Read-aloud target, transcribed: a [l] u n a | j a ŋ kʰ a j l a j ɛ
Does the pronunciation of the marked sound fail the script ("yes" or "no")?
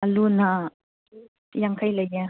no